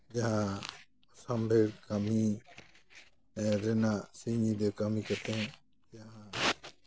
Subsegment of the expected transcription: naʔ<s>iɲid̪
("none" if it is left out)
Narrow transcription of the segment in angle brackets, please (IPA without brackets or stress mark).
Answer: s